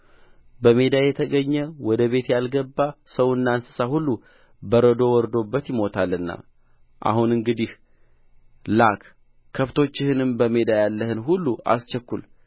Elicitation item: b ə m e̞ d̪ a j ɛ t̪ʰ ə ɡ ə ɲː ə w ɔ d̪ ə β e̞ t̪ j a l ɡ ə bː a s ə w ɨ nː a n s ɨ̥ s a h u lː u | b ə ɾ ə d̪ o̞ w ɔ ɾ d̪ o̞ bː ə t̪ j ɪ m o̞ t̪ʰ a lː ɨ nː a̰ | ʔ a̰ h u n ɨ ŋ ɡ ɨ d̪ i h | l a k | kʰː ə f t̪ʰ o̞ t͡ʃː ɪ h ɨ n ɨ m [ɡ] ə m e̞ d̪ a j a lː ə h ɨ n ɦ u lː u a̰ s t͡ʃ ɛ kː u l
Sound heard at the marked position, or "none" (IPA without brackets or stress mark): b